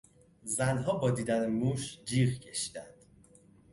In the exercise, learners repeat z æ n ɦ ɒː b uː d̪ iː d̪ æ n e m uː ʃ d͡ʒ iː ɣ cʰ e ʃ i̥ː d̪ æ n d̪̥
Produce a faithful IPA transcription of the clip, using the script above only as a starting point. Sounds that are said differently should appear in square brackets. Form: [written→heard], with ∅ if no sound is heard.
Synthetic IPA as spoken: z æ n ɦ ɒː b [uː→ɒː] d̪ iː d̪ æ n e m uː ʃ d͡ʒ iː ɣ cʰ e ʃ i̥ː d̪ æ n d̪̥